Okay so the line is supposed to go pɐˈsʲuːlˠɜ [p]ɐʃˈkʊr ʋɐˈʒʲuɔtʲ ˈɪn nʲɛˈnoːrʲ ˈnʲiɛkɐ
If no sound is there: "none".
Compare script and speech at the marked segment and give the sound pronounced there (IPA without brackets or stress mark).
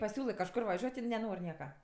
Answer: k